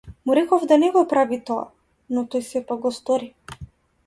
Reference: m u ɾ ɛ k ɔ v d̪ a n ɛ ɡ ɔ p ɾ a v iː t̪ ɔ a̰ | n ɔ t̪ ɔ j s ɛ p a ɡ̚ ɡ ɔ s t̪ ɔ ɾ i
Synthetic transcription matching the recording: m u ɾ ɛ k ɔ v d̪ a n ɛ ɡ ɔ p ɾ a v i t̪ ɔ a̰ | n ɔ t̪ ɔ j s ɛ p a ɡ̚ ɡ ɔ s t̪ ɔ ɾ i